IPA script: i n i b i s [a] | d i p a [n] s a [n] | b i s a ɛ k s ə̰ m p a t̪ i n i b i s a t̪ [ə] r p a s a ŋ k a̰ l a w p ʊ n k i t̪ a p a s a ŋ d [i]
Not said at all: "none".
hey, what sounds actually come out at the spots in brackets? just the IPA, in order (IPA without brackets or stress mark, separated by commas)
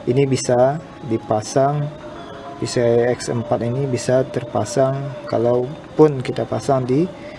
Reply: a, none, ŋ, ə, i